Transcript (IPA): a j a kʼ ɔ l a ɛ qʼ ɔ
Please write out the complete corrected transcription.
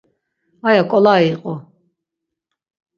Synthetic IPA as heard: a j a kʼ ɔ l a i qʼ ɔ